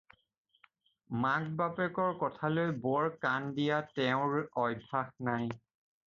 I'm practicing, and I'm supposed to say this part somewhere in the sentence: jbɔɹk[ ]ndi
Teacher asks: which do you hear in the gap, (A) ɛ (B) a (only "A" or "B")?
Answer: B